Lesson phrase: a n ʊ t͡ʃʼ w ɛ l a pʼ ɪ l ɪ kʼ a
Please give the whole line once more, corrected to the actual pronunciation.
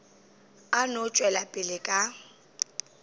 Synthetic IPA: a n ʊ t͡ʃʼ w ɛ l a pʼ ɪ l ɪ kʼ a

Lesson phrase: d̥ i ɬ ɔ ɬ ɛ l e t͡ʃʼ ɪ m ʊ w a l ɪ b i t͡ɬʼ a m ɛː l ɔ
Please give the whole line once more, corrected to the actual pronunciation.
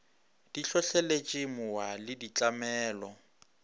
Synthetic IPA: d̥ i ɬ ɔ ɬ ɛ l e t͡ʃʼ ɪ m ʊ w a l ɪ d i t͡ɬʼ a m ɛː l ɔ

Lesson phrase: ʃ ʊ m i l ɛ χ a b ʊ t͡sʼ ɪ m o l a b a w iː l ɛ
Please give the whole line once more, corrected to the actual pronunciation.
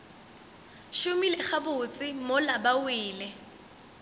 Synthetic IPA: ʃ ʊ m i l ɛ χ a b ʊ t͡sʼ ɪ m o l a b a w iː l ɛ

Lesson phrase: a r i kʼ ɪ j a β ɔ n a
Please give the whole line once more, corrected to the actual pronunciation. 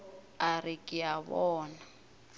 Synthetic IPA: a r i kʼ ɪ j a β ɔː n a

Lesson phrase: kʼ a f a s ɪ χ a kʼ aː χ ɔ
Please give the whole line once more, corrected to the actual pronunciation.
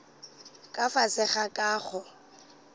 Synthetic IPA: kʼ a f a s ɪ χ a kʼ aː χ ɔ

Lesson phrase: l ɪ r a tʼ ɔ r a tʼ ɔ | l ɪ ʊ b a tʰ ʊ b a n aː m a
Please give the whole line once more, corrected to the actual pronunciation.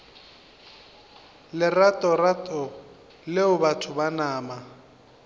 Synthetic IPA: l ɪ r a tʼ ɔ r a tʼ ɔ | l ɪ ʊ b a tʰ ʊ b a n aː m a

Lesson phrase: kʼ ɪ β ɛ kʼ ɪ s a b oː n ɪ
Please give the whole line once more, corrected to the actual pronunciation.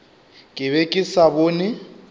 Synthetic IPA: kʼ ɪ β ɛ kʼ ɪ s a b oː n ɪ

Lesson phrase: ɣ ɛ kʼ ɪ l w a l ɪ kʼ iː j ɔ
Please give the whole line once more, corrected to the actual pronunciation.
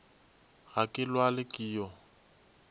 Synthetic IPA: ɣ a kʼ ɪ l w a l ɪ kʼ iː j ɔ

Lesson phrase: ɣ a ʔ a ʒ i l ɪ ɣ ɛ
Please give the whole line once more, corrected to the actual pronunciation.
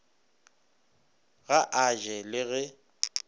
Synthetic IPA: ɣ a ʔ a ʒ ɛ l ɪ ɣ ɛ

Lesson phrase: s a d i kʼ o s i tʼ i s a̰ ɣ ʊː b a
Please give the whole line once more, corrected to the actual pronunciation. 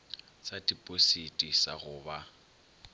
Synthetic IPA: s a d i pʼ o s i tʼ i s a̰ ɣ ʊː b a

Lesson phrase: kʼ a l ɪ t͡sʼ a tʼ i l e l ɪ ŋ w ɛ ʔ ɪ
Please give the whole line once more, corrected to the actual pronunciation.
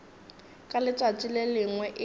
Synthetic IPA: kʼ a l ɪ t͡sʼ a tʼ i l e l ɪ ŋ w ɛ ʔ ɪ

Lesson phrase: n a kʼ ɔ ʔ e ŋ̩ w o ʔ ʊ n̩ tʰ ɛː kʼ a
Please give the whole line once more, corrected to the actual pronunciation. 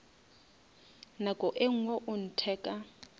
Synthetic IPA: n a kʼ ɔ ʔ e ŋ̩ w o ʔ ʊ n̩ tʰ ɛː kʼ a

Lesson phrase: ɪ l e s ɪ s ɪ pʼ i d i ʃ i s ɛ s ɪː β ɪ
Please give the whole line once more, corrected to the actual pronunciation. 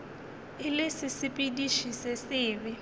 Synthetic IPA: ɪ l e s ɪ s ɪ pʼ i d i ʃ i s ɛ s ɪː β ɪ

